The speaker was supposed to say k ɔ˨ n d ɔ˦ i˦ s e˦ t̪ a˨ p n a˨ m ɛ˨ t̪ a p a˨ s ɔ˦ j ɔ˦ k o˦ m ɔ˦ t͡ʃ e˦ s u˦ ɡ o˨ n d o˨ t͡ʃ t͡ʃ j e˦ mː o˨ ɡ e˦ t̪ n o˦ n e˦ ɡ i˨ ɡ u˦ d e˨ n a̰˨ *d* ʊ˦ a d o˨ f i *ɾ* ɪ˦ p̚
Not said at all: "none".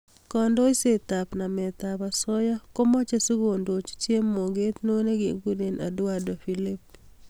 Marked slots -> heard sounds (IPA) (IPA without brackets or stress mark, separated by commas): d, l